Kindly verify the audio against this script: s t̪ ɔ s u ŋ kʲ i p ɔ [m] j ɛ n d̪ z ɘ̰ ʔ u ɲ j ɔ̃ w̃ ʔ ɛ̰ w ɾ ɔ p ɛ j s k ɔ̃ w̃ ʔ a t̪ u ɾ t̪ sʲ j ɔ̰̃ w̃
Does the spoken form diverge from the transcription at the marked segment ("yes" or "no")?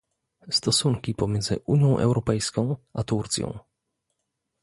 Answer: no